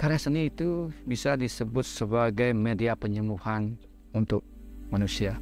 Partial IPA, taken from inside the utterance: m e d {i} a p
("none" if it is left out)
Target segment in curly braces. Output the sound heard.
i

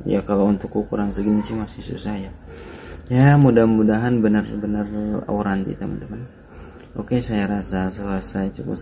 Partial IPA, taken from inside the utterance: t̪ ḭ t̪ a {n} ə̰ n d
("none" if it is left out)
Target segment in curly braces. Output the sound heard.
m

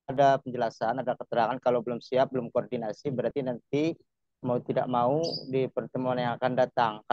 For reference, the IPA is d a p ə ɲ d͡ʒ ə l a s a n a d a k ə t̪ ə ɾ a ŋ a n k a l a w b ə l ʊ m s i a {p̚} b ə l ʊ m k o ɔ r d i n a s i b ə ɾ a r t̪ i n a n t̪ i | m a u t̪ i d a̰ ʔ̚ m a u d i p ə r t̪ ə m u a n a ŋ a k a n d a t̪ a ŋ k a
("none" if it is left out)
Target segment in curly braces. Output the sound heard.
p̚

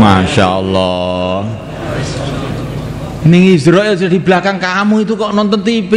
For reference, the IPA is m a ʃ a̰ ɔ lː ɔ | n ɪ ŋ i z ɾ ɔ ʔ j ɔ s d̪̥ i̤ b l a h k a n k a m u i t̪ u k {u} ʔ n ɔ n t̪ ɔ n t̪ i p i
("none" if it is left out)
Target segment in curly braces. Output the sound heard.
ɔ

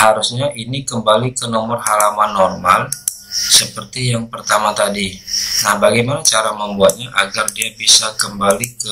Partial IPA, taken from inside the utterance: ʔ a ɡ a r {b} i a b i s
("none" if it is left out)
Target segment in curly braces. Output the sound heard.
d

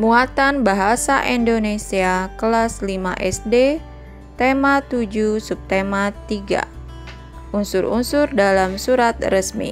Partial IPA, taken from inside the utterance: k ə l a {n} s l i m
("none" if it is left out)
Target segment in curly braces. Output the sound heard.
none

